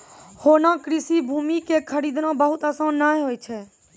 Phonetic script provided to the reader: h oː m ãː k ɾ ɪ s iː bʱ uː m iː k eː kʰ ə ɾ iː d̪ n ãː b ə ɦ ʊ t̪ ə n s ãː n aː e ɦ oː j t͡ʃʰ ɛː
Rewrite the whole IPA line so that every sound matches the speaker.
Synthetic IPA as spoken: h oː n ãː k ɾ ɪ s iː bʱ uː m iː k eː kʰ ə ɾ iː d̪ n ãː b ə ɦ ʊ t̪ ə s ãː n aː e ɦ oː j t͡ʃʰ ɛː

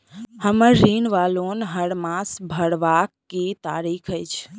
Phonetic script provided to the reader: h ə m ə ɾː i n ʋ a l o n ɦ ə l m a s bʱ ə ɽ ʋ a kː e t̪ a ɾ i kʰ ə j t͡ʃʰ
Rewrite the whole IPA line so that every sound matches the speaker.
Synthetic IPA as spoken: h ə m ə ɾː i n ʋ a l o n ɦ ə ɽ m a s bʱ ə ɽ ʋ a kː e t̪ a ɾ i kʰ ə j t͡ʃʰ

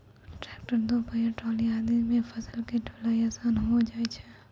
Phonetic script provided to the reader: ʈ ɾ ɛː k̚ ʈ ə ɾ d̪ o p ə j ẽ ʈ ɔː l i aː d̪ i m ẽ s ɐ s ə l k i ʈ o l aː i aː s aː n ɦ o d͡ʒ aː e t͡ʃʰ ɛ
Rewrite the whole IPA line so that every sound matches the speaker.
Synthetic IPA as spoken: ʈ ɾ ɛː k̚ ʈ ə ɾ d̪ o p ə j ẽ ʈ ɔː l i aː d̪ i m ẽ f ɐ s ə l k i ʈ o l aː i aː s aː n ɦ o d͡ʒ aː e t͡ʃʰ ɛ

